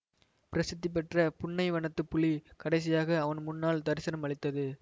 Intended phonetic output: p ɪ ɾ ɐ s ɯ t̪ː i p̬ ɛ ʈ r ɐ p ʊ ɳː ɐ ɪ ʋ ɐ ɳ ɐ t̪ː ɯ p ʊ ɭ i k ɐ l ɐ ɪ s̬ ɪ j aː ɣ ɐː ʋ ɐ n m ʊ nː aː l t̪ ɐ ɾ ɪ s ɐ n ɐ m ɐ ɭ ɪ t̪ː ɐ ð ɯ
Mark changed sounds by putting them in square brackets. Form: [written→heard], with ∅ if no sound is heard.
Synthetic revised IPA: p ɪ ɾ ɐ s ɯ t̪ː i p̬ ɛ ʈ r ɐ p ʊ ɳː ɐ ɪ ʋ ɐ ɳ ɐ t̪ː ɯ p ʊ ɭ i k ɐ [l→ɽ] ɐ ɪ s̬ ɪ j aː ɣ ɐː ʋ ɐ n m ʊ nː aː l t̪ ɐ ɾ ɪ s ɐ n ɐ m ɐ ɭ ɪ t̪ː ɐ ð ɯ